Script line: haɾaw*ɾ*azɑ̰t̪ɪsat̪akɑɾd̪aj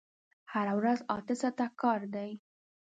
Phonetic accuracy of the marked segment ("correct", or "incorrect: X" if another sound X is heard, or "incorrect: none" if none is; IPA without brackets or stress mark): correct